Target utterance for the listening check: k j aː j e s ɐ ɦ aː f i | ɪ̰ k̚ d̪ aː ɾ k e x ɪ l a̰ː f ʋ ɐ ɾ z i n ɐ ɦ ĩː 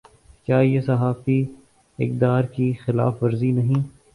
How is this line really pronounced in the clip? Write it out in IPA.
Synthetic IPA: k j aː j e s ɐ ɦ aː f i | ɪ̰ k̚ d̪ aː ɾ k i x ɪ l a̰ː f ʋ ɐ ɾ z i n ɐ ɦ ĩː